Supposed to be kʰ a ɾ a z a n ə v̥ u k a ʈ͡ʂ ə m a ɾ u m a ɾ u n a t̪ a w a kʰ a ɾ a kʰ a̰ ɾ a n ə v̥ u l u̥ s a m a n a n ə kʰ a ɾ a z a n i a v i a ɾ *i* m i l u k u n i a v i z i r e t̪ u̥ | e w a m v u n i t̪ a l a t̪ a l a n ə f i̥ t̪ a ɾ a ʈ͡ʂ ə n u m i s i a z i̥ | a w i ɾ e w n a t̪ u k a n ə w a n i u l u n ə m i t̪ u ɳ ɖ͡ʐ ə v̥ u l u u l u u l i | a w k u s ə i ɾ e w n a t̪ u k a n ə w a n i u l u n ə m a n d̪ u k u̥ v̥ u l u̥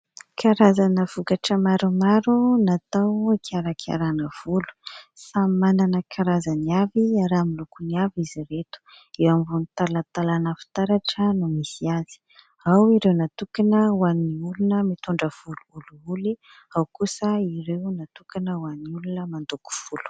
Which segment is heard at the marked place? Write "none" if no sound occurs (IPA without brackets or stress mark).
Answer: a